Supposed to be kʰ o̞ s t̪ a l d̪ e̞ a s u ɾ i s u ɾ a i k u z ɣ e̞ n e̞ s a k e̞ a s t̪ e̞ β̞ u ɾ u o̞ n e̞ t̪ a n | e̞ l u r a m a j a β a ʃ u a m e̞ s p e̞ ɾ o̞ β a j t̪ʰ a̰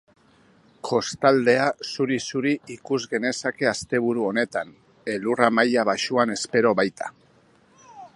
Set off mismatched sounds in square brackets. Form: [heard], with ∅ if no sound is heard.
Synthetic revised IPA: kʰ o̞ s t̪ a l d̪ e̞ a s u ɾ i s u ɾ [i] i k u z ɣ e̞ n e̞ s a k e̞ a s t̪ e̞ β̞ u ɾ u o̞ n e̞ t̪ a n | e̞ l u r a m a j a β a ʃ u a [n] e̞ s p e̞ ɾ o̞ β a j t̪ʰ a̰